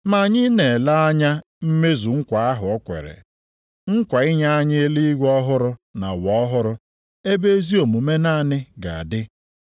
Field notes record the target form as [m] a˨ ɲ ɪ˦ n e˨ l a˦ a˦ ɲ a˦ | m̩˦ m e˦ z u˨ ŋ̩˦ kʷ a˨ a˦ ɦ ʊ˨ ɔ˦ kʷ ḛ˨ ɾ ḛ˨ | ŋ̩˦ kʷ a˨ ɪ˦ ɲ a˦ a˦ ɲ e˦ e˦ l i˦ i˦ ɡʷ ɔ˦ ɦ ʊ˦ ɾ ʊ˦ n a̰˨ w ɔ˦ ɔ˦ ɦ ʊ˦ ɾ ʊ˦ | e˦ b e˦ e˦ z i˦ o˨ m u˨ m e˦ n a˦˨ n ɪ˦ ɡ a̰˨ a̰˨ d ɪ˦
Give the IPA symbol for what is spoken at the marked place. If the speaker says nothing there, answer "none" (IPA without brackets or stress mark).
m